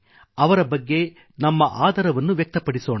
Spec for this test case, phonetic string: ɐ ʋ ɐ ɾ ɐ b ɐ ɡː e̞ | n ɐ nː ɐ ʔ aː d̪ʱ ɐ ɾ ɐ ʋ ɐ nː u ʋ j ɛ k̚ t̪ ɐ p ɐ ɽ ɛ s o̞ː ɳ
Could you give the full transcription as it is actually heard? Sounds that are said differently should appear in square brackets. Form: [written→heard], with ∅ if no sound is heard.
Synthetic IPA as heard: ɐ ʋ ɐ ɾ ɐ b ɐ ɡː e̞ | n ɐ [nː→mː] ɐ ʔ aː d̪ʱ ɐ ɾ ɐ ʋ ɐ nː u ʋ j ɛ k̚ t̪ ɐ p ɐ ɽ [ɛ→i] s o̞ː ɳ